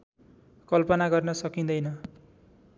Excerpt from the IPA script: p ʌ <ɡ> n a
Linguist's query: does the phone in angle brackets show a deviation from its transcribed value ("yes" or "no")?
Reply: yes